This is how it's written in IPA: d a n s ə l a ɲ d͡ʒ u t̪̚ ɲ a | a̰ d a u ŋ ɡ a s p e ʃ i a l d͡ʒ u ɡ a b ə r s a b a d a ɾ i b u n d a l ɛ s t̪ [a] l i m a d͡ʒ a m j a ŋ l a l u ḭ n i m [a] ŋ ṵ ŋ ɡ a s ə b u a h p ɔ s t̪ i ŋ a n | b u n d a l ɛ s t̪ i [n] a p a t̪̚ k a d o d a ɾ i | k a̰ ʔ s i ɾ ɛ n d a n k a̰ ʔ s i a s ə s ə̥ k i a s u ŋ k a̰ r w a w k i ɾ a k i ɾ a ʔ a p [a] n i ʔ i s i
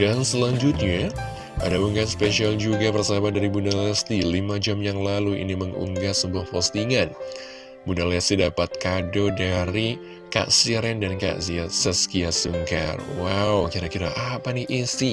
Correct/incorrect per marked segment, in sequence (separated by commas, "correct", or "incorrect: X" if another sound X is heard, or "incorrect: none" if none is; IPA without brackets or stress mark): incorrect: i, incorrect: ə, incorrect: d, correct